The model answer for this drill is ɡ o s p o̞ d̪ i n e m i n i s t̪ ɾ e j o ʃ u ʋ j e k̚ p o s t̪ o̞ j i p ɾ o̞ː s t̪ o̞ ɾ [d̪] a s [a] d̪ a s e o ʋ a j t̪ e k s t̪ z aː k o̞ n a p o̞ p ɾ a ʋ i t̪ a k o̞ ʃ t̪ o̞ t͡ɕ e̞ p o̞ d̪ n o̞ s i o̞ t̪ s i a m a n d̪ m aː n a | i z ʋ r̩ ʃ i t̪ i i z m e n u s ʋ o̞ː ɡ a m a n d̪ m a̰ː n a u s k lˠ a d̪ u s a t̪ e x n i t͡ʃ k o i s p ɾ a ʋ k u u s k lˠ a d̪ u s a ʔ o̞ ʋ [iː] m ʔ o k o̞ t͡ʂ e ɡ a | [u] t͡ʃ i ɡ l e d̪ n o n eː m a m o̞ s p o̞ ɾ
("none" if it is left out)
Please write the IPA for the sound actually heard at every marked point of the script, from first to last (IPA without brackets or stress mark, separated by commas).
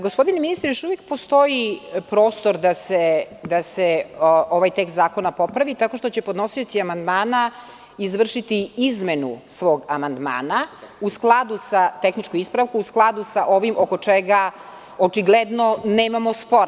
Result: d̪, e, i, o